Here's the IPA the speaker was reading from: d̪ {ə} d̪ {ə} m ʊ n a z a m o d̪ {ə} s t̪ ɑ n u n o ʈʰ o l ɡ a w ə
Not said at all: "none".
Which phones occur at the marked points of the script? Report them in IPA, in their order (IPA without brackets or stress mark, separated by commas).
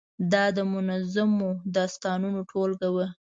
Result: ɑ, ə, ɑ